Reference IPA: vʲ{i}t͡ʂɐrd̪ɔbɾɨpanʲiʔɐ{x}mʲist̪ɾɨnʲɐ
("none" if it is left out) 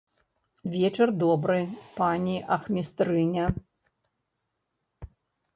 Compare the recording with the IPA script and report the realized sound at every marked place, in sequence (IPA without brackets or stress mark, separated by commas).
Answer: ɛ, x